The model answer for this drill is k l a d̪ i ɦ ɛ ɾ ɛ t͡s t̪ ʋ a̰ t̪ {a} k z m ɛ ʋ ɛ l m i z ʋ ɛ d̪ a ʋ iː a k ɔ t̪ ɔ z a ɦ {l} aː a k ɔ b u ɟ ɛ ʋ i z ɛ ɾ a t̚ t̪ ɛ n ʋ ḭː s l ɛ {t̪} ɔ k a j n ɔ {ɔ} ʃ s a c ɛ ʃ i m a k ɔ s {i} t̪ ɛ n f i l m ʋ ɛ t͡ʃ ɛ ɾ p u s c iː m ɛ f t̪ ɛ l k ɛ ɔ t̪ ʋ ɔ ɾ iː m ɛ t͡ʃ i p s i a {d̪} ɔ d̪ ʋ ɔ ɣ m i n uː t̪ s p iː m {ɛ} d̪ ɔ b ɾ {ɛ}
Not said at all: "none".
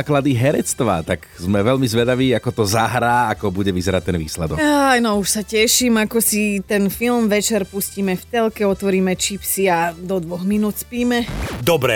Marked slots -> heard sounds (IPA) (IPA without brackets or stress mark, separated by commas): a, ɾ, d̪, u, i, d̪, ɛ, ɛ